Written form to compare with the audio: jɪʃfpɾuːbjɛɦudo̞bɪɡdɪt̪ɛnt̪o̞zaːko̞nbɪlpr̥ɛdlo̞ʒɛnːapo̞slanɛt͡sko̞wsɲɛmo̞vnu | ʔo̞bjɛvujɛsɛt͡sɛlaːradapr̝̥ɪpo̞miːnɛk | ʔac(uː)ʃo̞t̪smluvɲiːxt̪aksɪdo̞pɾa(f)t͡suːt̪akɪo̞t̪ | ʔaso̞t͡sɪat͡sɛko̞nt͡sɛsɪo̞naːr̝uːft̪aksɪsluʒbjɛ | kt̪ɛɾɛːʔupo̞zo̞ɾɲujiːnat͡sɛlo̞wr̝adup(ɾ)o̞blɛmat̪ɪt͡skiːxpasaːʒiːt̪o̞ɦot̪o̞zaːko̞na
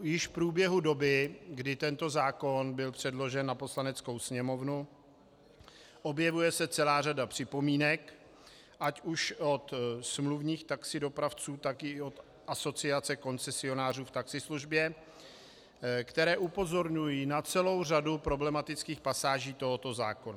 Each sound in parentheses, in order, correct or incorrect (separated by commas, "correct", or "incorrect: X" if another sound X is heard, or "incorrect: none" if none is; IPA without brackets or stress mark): incorrect: u, correct, correct